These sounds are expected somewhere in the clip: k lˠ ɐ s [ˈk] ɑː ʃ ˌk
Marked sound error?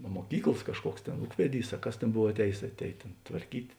no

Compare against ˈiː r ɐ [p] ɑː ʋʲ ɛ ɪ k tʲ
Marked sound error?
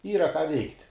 yes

